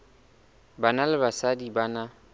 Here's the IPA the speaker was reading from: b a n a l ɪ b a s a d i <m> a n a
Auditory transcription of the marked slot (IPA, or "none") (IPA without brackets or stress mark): b